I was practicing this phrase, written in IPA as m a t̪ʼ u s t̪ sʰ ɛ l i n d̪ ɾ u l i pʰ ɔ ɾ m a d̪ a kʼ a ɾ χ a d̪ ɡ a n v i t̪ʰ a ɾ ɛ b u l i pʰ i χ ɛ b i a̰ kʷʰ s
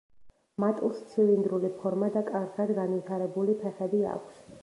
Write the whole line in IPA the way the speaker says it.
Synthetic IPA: m a t̪ʼ u s t̪ sʰ i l i n d̪ ɾ u l i pʰ ɔ ɾ m a d̪ a kʼ a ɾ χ a d̪ ɡ a n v i t̪ʰ a ɾ ɛ b u l i pʰ ɛ χ ɛ b i a̰ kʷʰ s